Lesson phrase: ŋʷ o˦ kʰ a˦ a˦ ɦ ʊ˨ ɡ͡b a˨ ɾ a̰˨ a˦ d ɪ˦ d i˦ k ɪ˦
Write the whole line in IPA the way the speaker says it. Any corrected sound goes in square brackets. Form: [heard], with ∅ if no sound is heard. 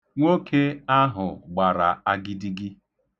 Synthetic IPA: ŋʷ o˦ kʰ [e˦] a˦ ɦ ʊ˨ ɡ͡b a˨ ɾ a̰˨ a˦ [ɡ] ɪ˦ d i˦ [ɡ] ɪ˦

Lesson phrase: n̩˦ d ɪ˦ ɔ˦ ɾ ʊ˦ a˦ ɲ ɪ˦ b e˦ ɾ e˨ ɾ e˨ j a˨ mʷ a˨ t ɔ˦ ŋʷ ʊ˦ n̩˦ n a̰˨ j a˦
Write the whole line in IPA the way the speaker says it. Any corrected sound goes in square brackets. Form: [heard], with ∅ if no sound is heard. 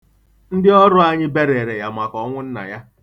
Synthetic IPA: n̩˦ d ɪ˦ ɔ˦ ɾ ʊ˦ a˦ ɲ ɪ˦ b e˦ ɾ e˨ ɾ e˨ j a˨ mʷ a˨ [k] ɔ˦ ŋʷ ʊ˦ n̩˦ n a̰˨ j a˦

